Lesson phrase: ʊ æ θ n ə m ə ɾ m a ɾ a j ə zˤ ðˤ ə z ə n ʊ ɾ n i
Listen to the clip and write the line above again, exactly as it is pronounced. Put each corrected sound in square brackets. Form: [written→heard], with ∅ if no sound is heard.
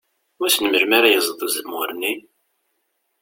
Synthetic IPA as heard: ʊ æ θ n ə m ə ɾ m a ɾ a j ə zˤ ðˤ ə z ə [n→m] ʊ ɾ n i